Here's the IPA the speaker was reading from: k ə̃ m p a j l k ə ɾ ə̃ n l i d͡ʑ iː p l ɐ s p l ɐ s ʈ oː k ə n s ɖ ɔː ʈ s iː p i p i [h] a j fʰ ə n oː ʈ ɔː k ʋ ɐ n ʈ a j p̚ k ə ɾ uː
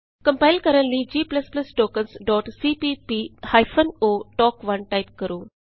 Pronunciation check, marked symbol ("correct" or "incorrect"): correct